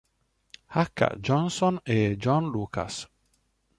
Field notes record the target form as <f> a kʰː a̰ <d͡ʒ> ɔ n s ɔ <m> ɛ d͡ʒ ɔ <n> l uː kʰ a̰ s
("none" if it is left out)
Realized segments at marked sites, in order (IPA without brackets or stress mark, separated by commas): h, d͡ʒ, n, n